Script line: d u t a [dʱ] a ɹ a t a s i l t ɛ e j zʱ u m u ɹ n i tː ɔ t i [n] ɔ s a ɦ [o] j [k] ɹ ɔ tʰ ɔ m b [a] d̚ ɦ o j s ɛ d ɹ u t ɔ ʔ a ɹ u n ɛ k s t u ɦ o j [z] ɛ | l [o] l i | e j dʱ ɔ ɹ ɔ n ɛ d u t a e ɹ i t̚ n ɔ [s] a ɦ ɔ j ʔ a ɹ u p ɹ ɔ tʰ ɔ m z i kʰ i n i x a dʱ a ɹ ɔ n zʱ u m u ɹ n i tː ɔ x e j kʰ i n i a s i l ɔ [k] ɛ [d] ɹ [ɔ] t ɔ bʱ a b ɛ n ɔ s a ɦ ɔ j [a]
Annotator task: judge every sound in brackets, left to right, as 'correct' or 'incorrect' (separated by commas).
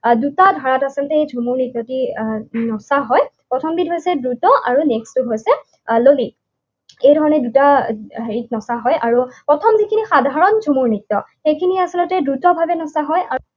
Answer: correct, correct, incorrect, incorrect, incorrect, incorrect, correct, correct, incorrect, correct, incorrect, correct